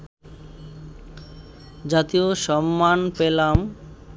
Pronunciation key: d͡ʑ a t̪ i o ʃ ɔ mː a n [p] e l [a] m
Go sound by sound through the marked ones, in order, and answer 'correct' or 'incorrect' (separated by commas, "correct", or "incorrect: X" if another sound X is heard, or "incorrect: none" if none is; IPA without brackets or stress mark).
correct, correct